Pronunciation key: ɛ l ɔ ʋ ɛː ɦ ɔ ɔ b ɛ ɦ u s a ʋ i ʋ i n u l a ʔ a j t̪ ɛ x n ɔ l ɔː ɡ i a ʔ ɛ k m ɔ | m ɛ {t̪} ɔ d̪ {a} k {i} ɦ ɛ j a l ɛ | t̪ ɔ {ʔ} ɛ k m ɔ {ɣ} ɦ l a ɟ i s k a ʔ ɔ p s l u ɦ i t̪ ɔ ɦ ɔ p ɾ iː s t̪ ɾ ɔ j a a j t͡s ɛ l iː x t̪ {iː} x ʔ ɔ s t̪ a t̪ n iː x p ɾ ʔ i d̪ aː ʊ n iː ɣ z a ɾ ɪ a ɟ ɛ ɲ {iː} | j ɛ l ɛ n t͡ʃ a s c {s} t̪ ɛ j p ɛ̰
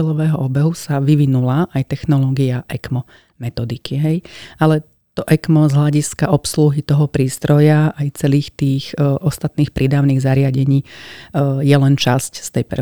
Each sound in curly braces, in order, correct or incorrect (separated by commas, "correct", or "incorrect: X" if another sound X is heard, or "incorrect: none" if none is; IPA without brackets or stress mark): correct, incorrect: i, correct, correct, incorrect: z, correct, correct, correct